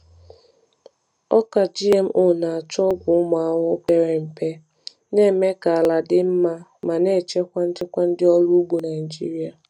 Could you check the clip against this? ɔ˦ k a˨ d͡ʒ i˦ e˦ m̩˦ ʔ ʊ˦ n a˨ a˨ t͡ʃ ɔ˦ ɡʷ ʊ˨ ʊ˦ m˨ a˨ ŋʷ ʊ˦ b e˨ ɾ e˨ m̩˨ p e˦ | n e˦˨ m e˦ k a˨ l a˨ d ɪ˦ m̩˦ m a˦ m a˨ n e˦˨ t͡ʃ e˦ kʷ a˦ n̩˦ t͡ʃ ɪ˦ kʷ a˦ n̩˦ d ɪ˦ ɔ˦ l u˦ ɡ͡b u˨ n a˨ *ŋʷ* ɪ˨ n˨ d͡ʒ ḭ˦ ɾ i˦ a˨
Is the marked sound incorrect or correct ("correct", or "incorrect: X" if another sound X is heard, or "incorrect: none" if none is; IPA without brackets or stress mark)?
incorrect: none